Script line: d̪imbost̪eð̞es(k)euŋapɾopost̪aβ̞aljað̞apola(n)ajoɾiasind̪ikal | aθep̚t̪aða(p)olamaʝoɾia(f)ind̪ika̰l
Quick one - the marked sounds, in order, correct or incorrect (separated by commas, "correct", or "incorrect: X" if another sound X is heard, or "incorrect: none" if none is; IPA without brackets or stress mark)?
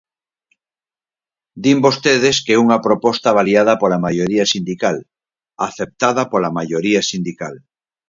correct, incorrect: m, correct, incorrect: s